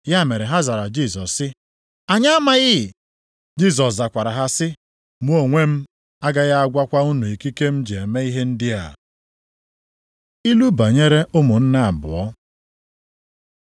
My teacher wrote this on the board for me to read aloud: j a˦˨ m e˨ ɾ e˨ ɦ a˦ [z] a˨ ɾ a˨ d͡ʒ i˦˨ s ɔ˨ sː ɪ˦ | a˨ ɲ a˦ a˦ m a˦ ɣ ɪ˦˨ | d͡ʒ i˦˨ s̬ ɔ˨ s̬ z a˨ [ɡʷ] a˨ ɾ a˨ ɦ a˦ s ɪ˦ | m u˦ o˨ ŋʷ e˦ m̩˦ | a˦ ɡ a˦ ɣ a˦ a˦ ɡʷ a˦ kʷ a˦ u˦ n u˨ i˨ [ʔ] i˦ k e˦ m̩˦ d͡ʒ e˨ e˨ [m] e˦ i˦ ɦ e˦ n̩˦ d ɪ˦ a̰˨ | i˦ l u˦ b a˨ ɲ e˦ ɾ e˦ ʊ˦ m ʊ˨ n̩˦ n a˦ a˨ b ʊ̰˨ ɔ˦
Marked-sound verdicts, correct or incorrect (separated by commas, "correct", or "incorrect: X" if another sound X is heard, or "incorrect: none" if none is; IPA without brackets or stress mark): correct, incorrect: kʷ, incorrect: k, correct